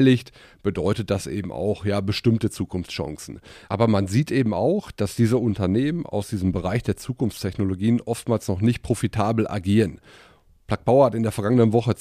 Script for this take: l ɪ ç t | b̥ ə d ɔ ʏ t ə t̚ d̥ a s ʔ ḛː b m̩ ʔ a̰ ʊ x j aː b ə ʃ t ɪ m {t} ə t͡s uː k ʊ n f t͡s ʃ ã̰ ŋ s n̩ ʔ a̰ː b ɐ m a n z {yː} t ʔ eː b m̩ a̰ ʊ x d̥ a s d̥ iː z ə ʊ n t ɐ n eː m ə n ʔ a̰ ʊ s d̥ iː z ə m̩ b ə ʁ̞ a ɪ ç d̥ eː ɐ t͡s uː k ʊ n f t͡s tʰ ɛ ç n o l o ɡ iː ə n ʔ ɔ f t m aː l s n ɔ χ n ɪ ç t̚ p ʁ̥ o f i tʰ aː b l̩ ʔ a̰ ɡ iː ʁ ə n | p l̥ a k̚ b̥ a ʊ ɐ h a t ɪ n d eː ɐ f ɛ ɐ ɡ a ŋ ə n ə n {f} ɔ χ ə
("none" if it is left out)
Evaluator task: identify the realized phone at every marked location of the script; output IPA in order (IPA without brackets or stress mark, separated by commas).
t, iː, v